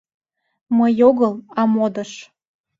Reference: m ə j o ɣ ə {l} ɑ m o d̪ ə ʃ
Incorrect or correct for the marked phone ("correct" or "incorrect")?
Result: correct